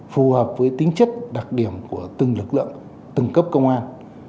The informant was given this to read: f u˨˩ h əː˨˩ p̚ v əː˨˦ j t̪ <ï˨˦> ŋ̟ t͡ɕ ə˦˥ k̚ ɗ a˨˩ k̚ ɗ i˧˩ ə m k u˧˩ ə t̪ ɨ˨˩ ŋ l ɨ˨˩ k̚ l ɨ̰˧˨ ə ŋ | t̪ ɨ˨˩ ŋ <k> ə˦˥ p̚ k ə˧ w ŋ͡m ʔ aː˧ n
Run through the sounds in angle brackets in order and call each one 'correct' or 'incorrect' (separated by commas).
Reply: correct, correct